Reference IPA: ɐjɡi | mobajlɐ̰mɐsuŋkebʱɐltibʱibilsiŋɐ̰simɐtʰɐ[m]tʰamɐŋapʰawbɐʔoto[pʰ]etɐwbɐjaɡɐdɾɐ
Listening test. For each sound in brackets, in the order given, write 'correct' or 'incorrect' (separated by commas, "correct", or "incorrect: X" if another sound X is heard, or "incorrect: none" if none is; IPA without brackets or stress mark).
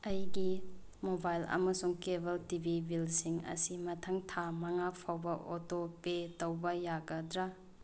incorrect: ŋ, incorrect: p